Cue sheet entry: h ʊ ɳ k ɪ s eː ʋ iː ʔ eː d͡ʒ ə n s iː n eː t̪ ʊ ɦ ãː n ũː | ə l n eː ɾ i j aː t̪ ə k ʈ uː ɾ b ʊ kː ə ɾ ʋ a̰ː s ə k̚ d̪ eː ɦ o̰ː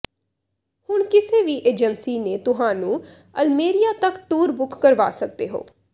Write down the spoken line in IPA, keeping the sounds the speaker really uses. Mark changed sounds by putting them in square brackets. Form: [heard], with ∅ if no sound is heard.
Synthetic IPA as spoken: h ʊ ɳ k ɪ s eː ʋ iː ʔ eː d͡ʒ ə n s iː n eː t̪ ʊ ɦ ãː n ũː | ə l [m] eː ɾ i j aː t̪ ə k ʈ uː ɾ b ʊ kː ə ɾ ʋ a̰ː s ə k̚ d̪ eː ɦ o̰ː